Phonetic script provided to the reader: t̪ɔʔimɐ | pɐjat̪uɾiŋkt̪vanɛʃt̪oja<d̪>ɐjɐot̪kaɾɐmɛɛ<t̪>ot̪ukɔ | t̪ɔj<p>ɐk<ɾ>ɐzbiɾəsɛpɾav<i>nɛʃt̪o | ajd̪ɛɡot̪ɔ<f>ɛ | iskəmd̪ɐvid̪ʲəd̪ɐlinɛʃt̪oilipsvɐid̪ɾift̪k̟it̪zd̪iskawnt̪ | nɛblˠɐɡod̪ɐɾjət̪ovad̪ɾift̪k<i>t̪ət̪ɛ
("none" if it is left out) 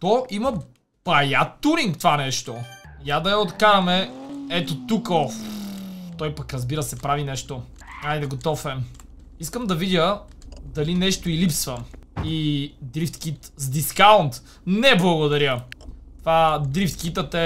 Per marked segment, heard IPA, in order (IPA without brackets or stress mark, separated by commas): d̪, t̪, p, ɾ, i, f, i